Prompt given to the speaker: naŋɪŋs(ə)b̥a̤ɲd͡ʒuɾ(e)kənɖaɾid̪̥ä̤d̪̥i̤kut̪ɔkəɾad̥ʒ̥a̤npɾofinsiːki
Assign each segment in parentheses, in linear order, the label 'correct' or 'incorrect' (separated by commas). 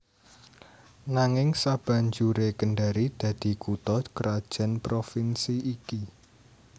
incorrect, correct